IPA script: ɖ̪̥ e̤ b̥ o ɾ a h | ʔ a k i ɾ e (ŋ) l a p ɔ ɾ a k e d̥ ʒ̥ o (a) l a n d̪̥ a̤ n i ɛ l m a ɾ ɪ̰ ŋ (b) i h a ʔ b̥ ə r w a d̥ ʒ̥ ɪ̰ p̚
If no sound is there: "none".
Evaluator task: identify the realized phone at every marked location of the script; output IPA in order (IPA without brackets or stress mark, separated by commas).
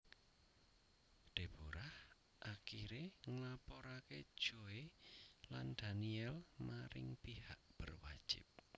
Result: ŋ, e, p